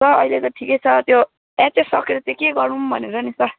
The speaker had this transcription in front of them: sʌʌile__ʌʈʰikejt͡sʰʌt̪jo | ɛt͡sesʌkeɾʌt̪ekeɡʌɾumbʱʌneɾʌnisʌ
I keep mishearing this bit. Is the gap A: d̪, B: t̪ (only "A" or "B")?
B